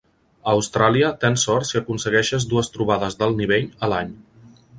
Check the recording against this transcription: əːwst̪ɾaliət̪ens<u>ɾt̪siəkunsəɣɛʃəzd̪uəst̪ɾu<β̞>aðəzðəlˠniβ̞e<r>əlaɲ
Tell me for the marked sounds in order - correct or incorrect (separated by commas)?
incorrect, correct, incorrect